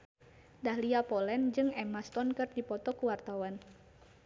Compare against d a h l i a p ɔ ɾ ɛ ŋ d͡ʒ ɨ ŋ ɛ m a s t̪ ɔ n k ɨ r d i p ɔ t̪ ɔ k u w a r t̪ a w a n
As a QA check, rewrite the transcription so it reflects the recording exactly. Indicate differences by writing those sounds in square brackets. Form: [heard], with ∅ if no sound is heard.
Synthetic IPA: d a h l i a p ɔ [l] ɛ [n] d͡ʒ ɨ ŋ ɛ m a s t̪ ɔ n k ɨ r d i p ɔ t̪ ɔ k u w a r t̪ a w a n